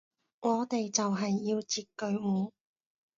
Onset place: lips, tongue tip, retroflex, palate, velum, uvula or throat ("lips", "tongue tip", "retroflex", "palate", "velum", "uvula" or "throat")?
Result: velum